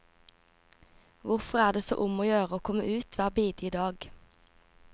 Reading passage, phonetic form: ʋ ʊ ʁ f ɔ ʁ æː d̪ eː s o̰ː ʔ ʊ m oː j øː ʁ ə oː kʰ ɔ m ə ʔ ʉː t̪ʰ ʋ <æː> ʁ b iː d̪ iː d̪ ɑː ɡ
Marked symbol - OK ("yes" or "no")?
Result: yes